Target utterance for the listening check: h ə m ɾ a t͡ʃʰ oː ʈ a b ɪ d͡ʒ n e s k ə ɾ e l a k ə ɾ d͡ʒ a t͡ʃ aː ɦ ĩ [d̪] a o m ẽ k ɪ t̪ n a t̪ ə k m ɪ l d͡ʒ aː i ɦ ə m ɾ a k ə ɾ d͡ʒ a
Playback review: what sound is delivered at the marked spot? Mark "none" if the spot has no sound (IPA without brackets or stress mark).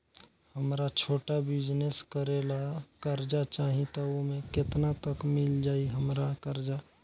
t̪